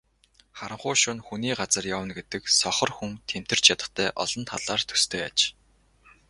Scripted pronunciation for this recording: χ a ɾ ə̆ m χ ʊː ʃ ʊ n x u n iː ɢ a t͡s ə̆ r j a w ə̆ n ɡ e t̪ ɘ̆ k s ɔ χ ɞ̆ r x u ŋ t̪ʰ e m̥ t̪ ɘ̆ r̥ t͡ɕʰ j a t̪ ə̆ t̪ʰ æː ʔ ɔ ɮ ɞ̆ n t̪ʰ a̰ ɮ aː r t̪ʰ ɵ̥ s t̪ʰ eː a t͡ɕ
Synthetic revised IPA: χ a ɾ ə̆ ɴ χ ʊː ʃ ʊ n x u n iː ɢ a t͡s ə̆ r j a w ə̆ n ɡ e t̪ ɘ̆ k s ɔ χ ɞ̆ r x u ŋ t̪ʰ e m̥ t̪ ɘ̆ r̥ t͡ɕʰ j a t̪ ə̆ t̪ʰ æː ʔ ɔ ɮ ɞ̆ n t̪ʰ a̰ ɮ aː r t̪ʰ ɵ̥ s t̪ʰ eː a t͡ɕ